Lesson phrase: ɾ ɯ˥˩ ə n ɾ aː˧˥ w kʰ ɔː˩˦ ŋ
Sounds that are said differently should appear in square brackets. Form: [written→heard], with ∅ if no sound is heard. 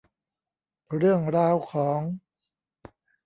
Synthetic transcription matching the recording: ɾ ɯ˥˩ ə [n→ŋ] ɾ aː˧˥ w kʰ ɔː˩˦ ŋ